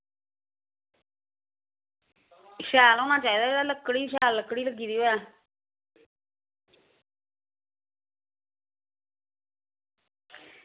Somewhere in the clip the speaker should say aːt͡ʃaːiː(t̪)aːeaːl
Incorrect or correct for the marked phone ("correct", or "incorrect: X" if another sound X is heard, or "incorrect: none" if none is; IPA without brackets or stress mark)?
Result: incorrect: d̪